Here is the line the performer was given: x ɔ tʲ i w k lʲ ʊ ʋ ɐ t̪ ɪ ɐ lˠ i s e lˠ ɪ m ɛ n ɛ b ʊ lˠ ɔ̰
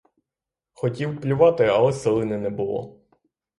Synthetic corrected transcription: x ɔ tʲ i w p lʲ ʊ ʋ ɑ t̪ ɪ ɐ lˠ ɛ s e lˠ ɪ n ɛ n ɛ b ʊ lˠ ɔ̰